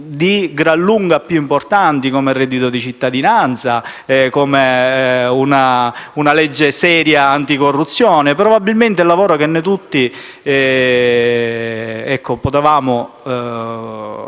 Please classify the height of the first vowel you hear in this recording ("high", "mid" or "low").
high